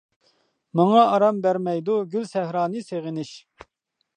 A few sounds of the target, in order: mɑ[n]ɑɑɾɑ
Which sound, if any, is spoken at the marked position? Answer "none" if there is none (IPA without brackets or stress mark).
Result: ŋ